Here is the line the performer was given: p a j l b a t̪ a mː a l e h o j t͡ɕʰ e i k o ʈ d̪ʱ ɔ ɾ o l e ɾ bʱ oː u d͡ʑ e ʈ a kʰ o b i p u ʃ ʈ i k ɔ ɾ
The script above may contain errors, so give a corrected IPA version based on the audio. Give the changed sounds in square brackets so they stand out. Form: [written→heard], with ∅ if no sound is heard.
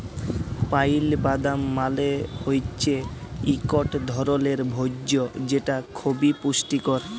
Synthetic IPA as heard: p a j l b a [t̪→d̪] a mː a l e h o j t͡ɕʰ e i k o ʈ d̪ʱ ɔ ɾ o l e ɾ bʱ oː [u→o] d͡ʑ e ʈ a kʰ o b i p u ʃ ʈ i k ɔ ɾ